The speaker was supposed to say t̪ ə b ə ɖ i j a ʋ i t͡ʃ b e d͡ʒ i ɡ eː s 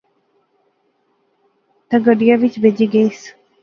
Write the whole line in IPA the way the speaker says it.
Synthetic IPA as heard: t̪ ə ɡ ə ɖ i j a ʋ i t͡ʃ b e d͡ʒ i ɡ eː s